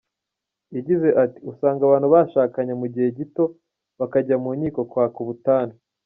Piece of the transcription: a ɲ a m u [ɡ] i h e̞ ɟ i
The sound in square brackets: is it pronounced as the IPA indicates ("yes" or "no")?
no